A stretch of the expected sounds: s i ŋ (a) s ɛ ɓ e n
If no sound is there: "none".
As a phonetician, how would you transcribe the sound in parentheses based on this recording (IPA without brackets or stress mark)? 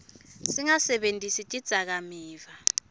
a